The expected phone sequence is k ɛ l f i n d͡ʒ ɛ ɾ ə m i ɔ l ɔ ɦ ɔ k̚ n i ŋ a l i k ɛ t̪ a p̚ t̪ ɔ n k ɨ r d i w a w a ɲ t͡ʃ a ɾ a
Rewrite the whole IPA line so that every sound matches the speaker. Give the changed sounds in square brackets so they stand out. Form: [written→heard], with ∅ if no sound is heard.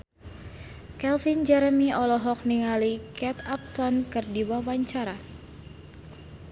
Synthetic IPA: k ɛ l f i n d͡ʒ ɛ ɾ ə m i ɔ l ɔ ɦ ɔ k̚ n i ŋ a l i k ɛ t̪ a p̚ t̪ ɔ n k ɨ r d i w a w a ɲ t͡ʃ a ɾ a